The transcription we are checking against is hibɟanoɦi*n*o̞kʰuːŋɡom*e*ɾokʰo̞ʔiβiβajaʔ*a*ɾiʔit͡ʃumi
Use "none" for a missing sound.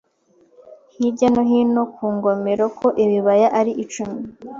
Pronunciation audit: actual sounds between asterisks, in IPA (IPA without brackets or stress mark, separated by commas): n, e, a